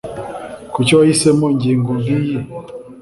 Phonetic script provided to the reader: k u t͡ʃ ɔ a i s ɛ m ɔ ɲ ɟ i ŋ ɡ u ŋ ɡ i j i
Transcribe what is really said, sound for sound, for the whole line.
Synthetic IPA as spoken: k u t͡ʃ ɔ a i s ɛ m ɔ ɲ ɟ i ŋ ɡ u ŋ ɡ i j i